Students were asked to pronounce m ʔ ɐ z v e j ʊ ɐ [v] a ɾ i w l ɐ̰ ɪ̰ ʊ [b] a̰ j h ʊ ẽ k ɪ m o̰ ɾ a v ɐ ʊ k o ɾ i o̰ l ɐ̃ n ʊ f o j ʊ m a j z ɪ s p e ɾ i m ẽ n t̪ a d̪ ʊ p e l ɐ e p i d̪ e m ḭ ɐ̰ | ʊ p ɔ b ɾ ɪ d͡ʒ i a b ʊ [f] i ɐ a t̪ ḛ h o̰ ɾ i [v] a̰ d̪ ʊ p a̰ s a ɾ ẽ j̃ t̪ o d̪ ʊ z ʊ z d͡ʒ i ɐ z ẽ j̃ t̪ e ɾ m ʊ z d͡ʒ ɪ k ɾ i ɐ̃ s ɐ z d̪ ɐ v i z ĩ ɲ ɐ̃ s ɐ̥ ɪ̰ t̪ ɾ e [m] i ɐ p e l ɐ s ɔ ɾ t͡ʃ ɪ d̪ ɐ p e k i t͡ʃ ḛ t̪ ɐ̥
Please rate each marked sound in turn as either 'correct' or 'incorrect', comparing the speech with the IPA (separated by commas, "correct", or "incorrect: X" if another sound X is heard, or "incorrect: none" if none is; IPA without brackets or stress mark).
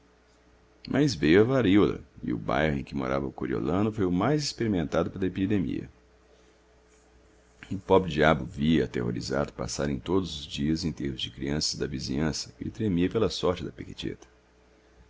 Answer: correct, correct, incorrect: v, incorrect: z, correct